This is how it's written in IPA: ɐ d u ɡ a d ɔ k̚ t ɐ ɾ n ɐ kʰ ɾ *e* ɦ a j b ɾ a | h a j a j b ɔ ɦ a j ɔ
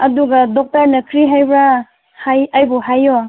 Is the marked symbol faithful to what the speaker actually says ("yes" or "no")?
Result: no